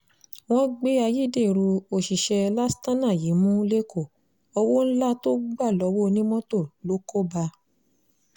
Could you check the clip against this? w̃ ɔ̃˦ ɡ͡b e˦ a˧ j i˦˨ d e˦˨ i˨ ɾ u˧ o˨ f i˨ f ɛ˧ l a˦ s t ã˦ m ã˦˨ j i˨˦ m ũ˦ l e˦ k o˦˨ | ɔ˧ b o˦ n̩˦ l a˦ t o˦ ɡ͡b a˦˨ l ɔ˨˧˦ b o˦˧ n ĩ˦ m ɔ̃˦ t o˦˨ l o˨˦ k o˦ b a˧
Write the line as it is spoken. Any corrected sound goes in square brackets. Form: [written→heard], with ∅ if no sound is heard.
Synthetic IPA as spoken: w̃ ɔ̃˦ ɡ͡b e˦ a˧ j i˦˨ d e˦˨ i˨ ɾ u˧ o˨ [f→ʃ] i˨ [f→ʃ] ɛ˧ l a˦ s t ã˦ [m→n] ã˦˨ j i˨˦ m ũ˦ l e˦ k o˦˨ | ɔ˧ [b→w] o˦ n̩˦ l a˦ t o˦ ɡ͡b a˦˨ l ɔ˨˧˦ [b→w] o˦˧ n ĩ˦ m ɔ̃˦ t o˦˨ l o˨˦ k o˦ b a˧